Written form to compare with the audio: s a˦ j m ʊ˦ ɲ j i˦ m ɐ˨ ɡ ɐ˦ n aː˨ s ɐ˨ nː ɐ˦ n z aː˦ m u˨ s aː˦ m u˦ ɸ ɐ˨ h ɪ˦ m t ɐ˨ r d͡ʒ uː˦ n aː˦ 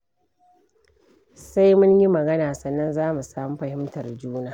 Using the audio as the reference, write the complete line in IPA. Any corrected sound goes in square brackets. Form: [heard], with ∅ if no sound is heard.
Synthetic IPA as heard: s a˦ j m ʊ˦ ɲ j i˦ m ɐ˨ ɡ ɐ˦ n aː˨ s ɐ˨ nː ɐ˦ n z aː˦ m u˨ s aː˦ m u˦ ɸ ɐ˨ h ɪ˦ m t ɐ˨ r d͡ʒ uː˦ n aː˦